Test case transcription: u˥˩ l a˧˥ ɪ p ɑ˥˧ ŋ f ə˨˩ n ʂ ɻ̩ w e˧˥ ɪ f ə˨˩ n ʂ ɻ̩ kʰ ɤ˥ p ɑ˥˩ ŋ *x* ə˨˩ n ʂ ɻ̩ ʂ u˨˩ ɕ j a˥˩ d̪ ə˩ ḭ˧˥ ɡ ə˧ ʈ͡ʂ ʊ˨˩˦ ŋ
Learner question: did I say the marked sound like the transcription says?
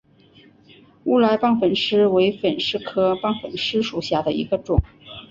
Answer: no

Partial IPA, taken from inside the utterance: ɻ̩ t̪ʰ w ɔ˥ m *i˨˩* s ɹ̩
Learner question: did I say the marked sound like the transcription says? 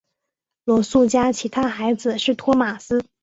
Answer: no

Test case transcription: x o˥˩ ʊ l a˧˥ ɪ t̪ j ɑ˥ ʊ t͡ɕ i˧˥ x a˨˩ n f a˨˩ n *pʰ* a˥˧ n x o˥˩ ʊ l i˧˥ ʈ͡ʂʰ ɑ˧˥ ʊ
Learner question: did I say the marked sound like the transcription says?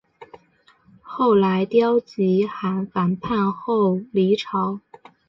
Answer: yes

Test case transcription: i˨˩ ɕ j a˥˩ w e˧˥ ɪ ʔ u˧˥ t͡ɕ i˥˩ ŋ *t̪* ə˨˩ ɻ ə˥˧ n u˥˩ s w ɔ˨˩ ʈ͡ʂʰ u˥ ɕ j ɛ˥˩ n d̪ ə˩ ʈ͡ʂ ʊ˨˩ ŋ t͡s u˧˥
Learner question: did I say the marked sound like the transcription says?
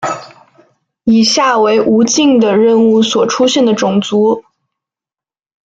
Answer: no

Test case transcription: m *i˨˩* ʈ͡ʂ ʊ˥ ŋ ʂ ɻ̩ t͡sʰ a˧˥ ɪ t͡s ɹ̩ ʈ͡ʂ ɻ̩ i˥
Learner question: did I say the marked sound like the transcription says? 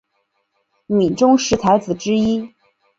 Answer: yes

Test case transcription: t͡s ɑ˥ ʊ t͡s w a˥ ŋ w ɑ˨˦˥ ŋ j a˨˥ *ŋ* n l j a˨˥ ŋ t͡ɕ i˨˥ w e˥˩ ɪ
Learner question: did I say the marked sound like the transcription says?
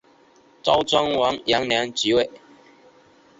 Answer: yes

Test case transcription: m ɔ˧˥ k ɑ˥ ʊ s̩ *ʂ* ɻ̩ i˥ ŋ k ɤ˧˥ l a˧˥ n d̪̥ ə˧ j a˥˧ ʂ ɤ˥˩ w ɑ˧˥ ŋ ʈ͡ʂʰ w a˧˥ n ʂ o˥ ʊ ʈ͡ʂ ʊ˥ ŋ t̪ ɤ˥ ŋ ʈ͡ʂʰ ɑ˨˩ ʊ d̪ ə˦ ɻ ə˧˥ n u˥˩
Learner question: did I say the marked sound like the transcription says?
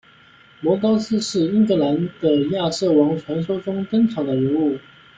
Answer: yes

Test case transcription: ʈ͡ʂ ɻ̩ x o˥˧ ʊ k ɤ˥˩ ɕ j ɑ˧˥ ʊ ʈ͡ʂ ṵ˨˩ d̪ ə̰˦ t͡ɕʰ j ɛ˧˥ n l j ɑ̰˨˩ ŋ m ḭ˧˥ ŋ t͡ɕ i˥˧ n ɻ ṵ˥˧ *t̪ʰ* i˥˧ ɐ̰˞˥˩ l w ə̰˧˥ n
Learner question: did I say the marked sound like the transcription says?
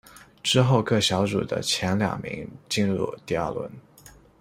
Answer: no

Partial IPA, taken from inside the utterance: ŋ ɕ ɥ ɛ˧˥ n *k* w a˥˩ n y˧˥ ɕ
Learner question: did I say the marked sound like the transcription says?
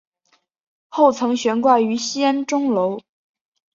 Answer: yes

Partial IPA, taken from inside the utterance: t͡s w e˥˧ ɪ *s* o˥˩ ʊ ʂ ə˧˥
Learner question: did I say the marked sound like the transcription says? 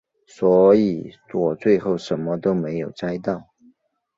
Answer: no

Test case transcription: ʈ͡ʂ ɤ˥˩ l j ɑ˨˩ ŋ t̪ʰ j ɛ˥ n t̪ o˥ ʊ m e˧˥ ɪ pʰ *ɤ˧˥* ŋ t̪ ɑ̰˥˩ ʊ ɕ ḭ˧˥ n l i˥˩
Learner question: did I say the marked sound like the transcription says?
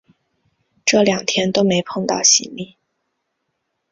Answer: no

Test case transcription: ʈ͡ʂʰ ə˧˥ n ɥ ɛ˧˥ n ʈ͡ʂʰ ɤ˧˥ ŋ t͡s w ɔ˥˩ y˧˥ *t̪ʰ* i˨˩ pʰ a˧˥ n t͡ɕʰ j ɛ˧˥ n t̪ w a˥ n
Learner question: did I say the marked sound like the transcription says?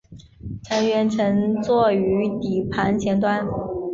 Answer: no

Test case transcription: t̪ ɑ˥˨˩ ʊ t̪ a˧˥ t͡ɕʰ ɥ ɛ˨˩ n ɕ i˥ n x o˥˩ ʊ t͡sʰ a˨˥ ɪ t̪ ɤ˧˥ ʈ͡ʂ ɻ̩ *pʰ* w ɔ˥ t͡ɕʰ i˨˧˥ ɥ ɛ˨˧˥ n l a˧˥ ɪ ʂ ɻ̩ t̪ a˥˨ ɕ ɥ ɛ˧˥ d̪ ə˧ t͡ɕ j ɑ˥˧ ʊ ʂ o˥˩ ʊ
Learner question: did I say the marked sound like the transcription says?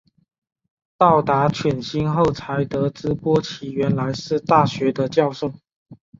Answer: no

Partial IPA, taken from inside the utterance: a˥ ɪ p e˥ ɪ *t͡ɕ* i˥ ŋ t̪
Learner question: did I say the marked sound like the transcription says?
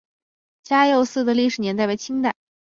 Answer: no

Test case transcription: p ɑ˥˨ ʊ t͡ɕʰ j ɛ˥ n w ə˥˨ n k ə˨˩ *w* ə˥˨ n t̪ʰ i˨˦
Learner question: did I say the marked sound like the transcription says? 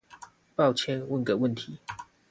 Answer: yes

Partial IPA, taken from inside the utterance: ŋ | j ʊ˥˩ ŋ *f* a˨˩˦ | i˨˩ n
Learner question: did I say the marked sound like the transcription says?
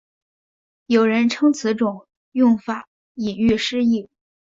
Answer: yes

